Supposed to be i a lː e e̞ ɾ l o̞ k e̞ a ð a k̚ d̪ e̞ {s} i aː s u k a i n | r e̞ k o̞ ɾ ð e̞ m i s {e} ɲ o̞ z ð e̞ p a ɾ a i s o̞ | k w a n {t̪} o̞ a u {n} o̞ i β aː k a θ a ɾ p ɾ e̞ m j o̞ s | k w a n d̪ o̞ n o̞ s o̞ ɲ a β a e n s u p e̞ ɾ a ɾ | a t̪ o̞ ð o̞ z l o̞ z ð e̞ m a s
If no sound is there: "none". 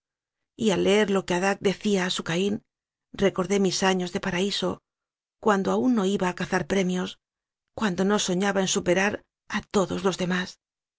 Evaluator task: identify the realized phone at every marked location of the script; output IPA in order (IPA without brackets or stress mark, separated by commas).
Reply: θ, a, d̪, nː